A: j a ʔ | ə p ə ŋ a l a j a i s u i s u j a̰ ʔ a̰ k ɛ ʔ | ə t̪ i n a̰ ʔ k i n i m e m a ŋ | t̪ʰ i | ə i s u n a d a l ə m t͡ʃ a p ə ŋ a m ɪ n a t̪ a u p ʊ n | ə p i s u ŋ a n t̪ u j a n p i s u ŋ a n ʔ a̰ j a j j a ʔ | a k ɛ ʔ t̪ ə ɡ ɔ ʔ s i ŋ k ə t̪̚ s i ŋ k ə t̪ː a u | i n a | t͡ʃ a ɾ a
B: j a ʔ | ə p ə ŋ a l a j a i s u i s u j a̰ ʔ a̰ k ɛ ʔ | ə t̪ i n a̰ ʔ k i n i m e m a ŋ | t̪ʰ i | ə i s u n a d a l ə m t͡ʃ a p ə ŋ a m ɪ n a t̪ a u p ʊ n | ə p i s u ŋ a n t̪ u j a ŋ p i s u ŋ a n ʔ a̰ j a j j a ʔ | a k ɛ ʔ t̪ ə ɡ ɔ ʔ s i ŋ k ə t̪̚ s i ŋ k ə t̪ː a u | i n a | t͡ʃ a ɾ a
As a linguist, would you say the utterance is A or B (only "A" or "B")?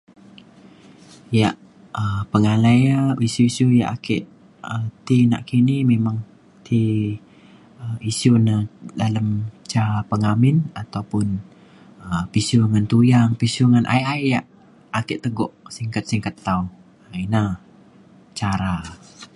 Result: B